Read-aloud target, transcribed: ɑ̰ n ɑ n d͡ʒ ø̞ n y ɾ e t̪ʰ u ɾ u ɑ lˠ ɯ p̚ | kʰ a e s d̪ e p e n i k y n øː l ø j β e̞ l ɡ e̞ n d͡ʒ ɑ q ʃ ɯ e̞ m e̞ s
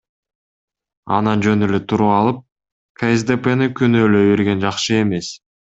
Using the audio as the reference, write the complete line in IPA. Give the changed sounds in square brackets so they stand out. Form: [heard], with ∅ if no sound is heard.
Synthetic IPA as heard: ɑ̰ n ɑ n d͡ʒ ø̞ n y [l] e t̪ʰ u ɾ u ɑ lˠ ɯ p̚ | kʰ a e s d̪ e p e n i k y n øː l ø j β e̞ [ɾ] ɡ e̞ n d͡ʒ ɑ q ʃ ɯ e̞ m e̞ s